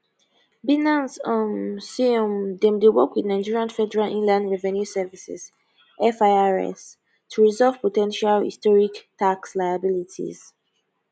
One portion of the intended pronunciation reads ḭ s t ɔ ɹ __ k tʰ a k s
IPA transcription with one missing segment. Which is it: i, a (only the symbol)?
i